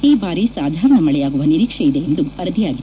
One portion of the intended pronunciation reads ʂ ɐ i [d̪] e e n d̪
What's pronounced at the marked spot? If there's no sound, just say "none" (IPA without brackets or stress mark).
d̪